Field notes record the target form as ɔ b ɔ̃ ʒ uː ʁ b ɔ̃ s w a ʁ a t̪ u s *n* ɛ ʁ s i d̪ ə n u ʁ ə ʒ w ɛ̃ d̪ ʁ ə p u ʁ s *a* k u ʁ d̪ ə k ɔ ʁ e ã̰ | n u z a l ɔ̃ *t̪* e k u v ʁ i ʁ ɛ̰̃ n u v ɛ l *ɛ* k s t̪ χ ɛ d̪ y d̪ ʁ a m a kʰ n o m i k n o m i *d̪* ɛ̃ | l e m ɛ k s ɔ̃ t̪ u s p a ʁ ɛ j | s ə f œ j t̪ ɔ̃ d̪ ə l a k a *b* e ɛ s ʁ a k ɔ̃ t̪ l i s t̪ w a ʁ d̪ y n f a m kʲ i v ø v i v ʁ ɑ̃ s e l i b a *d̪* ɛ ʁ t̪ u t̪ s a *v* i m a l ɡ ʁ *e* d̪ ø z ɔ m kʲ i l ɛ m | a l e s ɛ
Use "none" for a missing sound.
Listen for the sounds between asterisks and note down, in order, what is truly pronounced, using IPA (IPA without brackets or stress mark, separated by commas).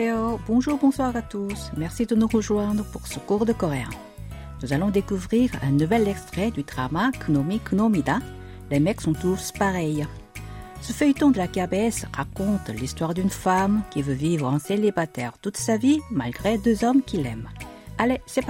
m, ə, d̪, ɛ, d̪, b, t̪, v, e